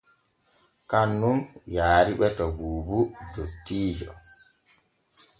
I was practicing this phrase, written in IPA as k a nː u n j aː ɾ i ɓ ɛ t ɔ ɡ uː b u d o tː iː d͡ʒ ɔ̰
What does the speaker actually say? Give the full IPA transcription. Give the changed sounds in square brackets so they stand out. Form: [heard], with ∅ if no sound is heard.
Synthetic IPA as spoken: k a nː u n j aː ɾ i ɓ ɛ t ɔ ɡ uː b u d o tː iː d͡ʒ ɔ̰